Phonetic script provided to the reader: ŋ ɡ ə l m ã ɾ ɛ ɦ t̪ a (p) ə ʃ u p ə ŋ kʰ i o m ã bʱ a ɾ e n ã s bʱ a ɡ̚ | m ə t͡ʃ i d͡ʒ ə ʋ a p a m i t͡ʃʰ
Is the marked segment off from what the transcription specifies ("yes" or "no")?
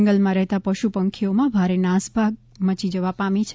no